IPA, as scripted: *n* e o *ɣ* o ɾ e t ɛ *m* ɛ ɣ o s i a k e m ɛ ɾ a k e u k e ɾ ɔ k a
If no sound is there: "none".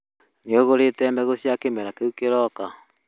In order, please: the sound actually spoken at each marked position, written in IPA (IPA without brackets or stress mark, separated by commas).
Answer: n, ɣ, m